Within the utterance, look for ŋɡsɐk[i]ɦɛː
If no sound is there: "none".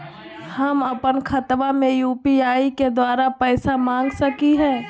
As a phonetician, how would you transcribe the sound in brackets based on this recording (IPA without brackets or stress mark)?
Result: i